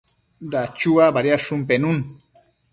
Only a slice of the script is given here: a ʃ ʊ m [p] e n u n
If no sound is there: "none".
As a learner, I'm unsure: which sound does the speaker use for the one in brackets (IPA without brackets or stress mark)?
p